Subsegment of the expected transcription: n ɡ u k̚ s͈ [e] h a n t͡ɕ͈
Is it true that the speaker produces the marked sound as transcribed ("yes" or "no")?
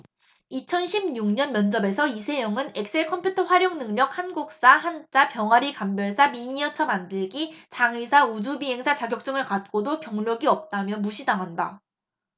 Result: no